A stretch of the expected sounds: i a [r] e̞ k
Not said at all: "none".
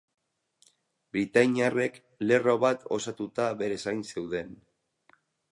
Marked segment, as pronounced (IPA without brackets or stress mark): r